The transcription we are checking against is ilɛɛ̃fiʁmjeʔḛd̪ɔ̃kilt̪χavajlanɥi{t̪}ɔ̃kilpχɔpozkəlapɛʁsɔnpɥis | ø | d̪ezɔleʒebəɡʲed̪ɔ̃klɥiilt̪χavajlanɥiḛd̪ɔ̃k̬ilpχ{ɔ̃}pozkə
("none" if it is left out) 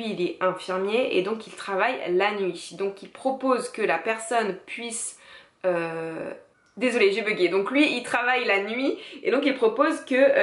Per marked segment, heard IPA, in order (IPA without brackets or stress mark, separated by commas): d̪, ɔ